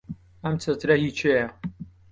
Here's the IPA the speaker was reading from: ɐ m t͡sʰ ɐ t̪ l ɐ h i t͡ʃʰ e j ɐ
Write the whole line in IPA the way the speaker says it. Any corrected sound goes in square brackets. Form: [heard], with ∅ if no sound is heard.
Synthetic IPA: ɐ m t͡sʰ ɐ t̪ [ɾ] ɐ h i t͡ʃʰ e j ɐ